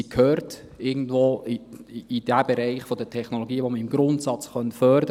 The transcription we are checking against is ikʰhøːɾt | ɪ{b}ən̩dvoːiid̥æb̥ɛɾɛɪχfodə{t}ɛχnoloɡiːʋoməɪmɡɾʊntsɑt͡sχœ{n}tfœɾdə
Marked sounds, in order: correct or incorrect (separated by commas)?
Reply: incorrect, incorrect, correct